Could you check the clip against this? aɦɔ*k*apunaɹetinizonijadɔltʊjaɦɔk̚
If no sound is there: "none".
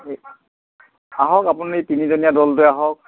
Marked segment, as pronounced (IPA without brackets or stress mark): k